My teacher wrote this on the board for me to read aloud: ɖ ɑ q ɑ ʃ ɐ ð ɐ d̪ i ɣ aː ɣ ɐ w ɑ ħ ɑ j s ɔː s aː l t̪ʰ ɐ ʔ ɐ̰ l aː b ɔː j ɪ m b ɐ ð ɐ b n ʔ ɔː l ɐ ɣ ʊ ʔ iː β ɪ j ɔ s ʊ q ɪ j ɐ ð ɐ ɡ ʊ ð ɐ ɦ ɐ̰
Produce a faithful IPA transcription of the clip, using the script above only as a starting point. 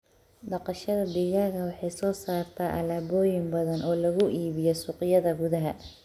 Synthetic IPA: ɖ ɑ q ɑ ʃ ɐ ð ɐ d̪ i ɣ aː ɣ ɐ w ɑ ħ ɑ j s ɔː s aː r t̪ʰ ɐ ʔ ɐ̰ l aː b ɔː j ɪ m b ɐ ð ɐ n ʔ ɔː l ɐ ɣ ʊ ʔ iː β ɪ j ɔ s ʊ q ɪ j ɐ ð ɐ ɡ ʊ ð ɐ ɦ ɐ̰